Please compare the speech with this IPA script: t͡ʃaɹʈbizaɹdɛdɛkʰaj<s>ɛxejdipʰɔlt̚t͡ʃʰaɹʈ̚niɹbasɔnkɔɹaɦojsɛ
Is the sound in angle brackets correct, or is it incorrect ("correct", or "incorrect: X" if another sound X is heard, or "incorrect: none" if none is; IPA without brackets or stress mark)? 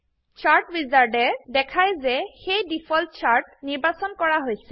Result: incorrect: z